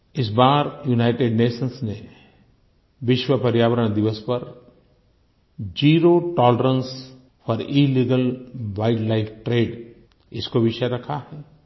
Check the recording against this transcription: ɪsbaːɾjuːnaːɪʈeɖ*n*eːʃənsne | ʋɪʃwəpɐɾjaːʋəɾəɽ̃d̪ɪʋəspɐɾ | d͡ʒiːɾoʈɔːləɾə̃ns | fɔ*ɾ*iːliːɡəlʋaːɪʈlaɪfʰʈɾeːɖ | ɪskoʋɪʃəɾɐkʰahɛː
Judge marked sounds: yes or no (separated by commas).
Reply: yes, yes